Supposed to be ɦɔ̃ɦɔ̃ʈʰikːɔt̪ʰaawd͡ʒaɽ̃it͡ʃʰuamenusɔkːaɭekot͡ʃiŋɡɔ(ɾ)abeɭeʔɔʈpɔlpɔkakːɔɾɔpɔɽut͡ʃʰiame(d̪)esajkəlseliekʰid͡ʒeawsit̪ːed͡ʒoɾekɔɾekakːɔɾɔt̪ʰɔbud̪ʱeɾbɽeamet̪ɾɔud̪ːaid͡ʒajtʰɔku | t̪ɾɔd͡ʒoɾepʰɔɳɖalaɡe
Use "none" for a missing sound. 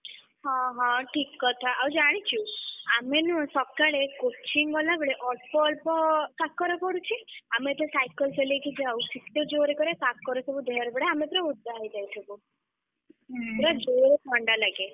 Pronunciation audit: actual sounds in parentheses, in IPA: l, t̪

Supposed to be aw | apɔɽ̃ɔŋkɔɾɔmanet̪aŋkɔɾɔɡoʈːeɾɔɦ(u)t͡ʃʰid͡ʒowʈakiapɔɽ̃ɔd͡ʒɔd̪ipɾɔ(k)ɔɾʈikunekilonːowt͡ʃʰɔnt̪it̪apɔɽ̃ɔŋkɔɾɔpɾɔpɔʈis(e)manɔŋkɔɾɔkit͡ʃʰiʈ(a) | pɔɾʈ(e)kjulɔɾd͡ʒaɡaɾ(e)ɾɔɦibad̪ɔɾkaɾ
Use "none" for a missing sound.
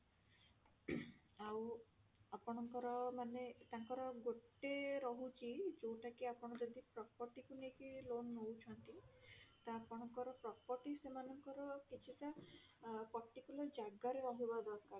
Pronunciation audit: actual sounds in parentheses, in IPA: u, p, e, a, i, e

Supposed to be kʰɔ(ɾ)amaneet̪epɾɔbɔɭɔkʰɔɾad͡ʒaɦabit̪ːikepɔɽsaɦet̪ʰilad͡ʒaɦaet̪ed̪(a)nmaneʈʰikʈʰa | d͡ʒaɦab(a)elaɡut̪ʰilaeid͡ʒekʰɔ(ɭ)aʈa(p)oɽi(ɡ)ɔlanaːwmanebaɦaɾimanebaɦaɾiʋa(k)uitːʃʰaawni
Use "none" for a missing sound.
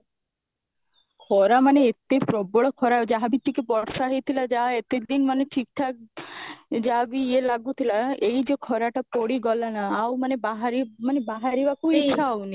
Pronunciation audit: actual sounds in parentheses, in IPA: ɾ, i, i, ɾ, p, ɡ, k

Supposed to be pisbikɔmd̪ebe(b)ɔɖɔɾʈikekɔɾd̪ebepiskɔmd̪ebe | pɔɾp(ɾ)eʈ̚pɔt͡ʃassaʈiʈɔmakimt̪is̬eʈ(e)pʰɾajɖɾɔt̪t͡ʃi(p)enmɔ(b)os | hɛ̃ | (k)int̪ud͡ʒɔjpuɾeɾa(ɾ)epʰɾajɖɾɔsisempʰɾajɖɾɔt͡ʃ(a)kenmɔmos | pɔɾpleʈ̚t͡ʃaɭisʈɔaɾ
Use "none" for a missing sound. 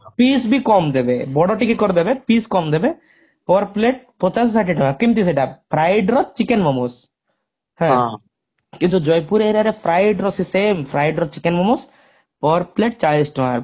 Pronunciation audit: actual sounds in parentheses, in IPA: b, l, a, k, m, k, ɾ, i

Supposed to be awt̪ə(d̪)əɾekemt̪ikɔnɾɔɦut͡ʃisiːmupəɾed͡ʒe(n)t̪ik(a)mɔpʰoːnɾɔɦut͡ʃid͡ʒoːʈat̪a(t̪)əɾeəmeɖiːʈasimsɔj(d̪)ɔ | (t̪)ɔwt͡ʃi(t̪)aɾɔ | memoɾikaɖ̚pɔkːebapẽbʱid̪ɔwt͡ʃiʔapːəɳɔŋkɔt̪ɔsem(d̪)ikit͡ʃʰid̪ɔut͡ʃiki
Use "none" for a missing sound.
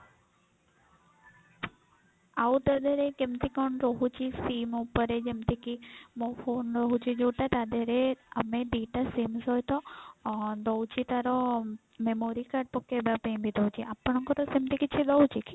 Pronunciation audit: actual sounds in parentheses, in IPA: d̪, m, i, d̪, t̪, d̪, t̪, t̪

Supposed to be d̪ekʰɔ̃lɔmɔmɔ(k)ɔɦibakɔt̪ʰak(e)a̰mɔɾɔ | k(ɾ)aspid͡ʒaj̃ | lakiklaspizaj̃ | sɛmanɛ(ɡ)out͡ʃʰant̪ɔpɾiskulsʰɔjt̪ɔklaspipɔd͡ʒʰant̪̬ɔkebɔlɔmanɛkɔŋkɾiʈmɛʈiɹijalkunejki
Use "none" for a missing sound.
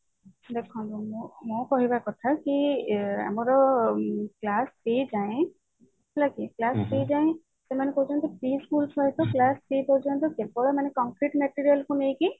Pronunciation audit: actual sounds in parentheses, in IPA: k, i, l, k

